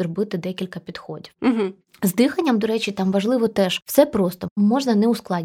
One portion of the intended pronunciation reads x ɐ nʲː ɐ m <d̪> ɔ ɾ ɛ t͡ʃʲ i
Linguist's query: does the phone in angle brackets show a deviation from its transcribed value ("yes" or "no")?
no